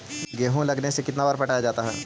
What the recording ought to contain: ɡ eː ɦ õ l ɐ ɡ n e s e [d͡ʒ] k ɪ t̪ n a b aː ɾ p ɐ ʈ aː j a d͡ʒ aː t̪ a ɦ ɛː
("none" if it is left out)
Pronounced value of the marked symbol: none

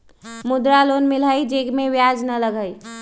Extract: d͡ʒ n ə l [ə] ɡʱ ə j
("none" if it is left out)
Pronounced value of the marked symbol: ə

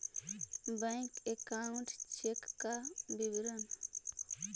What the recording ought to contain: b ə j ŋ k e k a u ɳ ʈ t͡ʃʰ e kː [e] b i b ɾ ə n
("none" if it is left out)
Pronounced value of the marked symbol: a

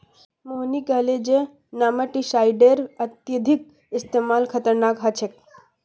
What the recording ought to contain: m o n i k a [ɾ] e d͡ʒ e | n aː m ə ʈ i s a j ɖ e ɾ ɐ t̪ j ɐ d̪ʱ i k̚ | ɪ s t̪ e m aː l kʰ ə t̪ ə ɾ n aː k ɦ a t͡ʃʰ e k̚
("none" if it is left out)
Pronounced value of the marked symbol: l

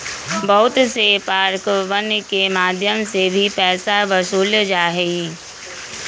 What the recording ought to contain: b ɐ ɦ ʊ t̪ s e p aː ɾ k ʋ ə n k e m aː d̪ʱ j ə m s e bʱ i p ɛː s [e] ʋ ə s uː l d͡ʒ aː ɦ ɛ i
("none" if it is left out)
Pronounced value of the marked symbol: a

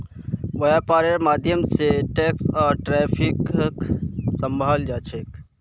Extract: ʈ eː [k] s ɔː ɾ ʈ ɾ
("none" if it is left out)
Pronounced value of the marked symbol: k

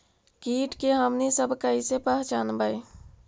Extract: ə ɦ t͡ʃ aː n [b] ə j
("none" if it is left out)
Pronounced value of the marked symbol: b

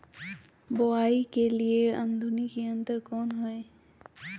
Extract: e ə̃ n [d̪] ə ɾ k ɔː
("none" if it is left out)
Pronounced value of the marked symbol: t̪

